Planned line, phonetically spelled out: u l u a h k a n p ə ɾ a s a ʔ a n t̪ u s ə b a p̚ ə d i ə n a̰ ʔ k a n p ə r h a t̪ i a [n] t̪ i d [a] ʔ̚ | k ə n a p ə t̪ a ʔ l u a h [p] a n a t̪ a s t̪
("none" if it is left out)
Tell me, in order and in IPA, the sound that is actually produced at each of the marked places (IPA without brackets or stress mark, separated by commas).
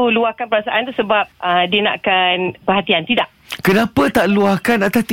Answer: n, a, k